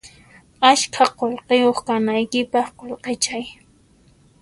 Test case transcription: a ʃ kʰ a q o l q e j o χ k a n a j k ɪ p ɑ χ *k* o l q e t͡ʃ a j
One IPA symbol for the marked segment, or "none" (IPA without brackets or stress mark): q